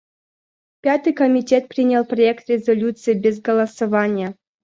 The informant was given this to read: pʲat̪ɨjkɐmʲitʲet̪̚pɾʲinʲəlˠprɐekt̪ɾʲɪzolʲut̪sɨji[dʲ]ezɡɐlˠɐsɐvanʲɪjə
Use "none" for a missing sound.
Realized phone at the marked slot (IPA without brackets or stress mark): bʲ